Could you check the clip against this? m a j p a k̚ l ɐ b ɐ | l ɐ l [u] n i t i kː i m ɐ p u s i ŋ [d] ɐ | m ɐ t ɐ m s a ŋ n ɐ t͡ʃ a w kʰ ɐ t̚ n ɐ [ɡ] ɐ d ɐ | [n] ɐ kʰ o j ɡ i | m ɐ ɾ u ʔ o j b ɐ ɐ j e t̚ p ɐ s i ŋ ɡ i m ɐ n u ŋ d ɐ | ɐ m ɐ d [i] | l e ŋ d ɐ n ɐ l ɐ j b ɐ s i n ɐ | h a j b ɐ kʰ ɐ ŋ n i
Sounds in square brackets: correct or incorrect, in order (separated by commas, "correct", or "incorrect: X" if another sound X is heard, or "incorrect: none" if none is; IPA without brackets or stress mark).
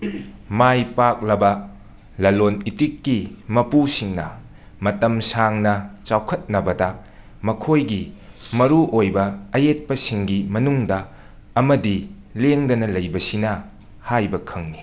incorrect: o, incorrect: n, incorrect: b, incorrect: m, correct